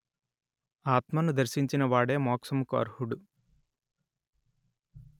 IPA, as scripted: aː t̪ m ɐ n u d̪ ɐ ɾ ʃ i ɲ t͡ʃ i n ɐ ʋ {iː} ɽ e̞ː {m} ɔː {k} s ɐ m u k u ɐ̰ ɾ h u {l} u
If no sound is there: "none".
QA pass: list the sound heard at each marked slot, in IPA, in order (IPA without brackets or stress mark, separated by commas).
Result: aː, m, k, ɽ